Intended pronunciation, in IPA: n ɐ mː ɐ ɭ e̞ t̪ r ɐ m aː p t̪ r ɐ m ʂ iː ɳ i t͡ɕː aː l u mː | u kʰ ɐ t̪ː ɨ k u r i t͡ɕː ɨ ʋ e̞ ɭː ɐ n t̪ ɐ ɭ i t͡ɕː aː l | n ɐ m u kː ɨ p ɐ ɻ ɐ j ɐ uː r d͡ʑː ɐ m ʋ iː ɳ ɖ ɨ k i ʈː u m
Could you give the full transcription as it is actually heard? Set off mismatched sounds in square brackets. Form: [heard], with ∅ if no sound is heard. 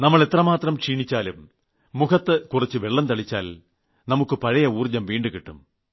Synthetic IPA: n ɐ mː ɐ ɭ e̞ t̪ r ɐ m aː [∅] t̪ r ɐ m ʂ iː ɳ i t͡ɕː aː l u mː | u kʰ ɐ t̪ː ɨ k u r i t͡ɕː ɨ ʋ e̞ ɭː ɐ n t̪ ɐ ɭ i t͡ɕː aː l | n ɐ m u kː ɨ p ɐ ɻ ɐ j ɐ uː r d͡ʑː ɐ m ʋ iː ɳ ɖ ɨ k i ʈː u m